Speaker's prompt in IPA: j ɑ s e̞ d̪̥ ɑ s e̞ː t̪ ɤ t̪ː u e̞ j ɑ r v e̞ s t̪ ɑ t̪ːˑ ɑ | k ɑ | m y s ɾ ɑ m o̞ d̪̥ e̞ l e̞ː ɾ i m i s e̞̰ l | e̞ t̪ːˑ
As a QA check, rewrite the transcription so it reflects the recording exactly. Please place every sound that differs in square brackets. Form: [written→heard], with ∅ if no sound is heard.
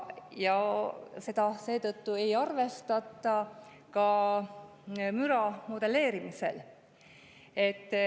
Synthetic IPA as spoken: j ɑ s e̞ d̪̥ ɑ s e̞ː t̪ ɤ t̪ː u e̞ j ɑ r v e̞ s t̪ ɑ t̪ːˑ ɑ | k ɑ | m y [s→∅] ɾ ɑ m o̞ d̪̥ e̞ l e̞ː ɾ i m i s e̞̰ l | e̞ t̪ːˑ